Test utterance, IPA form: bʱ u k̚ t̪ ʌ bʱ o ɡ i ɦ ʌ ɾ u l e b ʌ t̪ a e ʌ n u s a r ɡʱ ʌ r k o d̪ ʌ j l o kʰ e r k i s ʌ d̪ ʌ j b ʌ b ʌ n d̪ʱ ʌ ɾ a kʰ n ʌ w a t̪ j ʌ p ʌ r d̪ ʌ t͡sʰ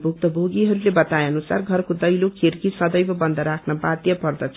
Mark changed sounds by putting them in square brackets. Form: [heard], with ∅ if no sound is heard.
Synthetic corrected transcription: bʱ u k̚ t̪ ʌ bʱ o ɡ i ɦ ʌ ɾ u l e b ʌ t̪ a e ʌ n u s a r ɡʱ ʌ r k o d̪ ʌ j l o kʰ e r k i s ʌ d̪ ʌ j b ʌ b ʌ n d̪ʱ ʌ ɾ a kʰ n ʌ [b] a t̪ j ʌ p ʌ r d̪ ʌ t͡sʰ